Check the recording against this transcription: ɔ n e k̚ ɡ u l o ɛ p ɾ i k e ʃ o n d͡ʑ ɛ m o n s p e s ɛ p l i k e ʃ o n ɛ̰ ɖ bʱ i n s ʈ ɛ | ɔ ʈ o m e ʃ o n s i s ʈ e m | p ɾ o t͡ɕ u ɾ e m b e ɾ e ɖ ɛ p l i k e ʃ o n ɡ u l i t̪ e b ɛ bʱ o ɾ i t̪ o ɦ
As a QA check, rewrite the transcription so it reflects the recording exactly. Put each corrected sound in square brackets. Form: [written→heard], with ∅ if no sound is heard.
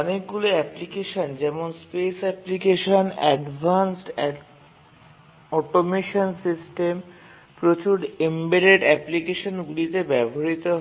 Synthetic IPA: ɔ n e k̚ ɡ u l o ɛ p [ɾ→l] i k e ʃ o n d͡ʑ ɛ m o n s p e s ɛ p l i k e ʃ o n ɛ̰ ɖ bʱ [i→a] n s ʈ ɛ | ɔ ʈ o m e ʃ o n s i s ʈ e m | p ɾ o t͡ɕ u ɾ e m b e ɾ e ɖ ɛ p l i k e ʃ o n ɡ u l i t̪ e b ɛ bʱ o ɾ i t̪ o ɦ